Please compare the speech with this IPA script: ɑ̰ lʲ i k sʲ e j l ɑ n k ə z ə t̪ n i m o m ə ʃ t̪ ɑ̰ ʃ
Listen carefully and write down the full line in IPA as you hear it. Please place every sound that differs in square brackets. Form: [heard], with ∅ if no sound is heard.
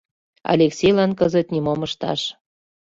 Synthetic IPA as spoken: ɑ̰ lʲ [e] k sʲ e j l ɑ n k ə z ə t̪ n i m o m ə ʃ t̪ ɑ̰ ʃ

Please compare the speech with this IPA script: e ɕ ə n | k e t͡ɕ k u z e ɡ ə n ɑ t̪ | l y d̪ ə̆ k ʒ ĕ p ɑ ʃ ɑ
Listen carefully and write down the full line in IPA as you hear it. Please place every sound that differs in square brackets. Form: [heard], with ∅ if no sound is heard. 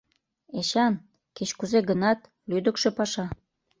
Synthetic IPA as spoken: e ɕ [ɑ] n | k e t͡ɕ k u z e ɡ ə n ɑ t̪ | l y d̪ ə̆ k [ʃ] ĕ p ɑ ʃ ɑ

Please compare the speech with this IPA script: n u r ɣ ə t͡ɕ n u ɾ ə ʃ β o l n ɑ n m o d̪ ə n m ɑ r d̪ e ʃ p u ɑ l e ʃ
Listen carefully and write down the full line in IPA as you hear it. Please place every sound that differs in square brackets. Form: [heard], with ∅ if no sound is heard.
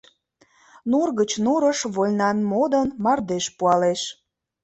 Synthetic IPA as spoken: n u r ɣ ə t͡ɕ n u ɾ ə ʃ β o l n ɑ n m o d̪ ə n m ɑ r d̪ e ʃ p u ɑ l e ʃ

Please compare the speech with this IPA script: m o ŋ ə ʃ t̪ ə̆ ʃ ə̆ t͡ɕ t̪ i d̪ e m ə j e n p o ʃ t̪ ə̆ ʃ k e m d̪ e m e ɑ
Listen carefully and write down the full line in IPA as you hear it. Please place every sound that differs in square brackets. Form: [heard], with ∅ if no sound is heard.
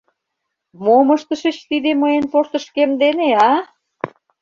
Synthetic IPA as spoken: m o [m] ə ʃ t̪ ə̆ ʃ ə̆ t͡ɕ t̪ i d̪ e m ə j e n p o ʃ t̪ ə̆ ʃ k e m d̪ e [n] e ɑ

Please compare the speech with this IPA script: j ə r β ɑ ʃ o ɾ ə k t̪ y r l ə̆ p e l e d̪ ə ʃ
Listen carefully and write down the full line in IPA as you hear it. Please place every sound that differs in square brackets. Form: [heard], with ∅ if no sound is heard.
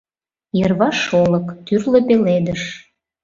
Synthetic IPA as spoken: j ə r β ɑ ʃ o [l] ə k t̪ y r l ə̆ p e l e d̪ ə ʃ

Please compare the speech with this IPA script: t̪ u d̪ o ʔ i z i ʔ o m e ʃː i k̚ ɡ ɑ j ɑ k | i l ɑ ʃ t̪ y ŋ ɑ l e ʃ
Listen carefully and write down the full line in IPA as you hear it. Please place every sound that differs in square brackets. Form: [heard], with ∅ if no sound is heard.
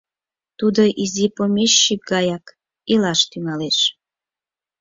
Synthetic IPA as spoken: t̪ u d̪ o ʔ i z i [p] o m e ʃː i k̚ ɡ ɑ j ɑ k | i l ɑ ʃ t̪ y ŋ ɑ l e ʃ

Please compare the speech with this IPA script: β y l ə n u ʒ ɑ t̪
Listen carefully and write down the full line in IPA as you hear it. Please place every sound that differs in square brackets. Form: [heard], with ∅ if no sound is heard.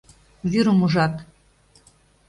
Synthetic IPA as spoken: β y [ɾ] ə [m] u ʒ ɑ t̪

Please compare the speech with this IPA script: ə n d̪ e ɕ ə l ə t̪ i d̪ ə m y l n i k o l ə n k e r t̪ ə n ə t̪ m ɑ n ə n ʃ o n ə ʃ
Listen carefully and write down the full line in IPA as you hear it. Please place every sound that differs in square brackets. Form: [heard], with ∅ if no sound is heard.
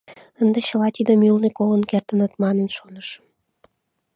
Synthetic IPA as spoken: ə n d̪ e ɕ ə l [ɑ] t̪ i d̪ ə m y l n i k o l ə n k e r t̪ ə n ə t̪ m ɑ n ə n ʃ o n ə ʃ

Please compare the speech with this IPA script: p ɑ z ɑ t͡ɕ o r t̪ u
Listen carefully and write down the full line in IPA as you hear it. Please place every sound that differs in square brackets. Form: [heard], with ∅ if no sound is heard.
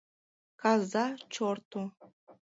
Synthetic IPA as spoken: [k] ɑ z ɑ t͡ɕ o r t̪ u

